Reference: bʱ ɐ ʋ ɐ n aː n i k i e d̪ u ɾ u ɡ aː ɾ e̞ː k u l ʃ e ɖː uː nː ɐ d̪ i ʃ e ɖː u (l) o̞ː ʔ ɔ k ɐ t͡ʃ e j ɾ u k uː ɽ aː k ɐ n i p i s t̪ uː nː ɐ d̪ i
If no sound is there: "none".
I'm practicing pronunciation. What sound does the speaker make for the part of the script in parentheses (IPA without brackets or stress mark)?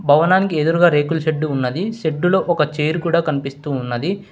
l